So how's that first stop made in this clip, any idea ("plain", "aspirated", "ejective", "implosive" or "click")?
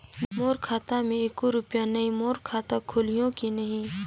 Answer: aspirated